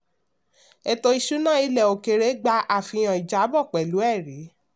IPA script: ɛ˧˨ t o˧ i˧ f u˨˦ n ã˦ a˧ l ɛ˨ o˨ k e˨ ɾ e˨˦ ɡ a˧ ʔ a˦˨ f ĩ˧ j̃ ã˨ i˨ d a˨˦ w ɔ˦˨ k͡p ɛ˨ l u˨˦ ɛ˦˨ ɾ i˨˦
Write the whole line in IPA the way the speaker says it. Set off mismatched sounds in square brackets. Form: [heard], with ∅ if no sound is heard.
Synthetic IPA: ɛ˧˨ t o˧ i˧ [ʃ] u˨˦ n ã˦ [i˧] l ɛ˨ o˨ k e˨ ɾ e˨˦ [ɡ͡b] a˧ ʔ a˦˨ f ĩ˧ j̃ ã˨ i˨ [d͡ʒ] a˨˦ [b] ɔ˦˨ k͡p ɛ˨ l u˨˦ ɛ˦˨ ɾ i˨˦